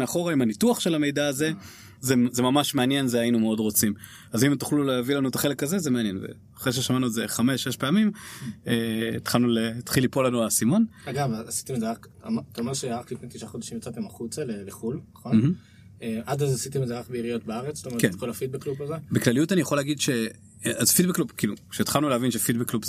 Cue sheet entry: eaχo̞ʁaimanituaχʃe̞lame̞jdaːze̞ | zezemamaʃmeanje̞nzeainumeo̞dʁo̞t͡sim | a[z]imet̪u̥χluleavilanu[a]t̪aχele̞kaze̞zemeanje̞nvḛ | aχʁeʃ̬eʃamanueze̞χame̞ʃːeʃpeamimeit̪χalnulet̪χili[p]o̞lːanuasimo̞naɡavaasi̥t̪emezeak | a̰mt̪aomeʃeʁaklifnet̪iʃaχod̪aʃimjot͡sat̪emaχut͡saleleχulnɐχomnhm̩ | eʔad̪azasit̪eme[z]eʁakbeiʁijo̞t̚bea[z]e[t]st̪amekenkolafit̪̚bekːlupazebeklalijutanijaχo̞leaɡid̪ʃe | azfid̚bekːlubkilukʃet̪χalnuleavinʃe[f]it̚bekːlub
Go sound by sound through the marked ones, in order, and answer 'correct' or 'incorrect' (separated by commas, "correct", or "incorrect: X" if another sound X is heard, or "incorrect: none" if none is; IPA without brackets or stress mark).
correct, incorrect: e, correct, correct, incorrect: ʁ, incorrect: t͡s, correct